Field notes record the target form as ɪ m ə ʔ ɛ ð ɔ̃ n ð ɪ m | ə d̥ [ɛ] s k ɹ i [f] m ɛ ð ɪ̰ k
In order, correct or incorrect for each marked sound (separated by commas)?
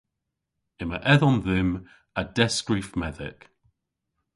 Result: correct, correct